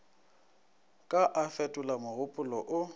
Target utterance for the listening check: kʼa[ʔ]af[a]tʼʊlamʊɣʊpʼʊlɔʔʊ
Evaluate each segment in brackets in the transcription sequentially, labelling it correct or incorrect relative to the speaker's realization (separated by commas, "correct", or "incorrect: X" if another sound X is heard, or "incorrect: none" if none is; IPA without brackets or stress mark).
correct, incorrect: ɛ